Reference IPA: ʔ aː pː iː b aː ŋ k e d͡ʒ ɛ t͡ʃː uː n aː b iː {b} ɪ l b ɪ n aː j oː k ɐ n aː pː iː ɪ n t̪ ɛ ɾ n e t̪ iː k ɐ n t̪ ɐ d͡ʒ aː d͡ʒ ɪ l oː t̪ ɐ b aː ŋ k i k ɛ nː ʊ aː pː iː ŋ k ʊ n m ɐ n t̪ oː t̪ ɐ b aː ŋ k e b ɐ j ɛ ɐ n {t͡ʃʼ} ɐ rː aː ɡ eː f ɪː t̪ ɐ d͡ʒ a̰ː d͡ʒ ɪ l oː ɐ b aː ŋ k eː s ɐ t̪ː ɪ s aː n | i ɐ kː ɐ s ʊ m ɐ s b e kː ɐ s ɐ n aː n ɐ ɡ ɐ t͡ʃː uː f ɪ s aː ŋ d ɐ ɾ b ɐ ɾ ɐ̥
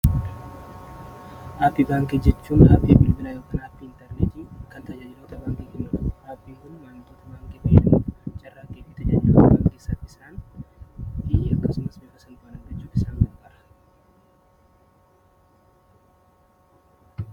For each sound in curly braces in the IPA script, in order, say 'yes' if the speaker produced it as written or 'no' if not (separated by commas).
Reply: yes, yes